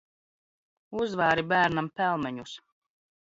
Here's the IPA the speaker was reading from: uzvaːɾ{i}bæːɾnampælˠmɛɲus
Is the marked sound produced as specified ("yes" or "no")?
yes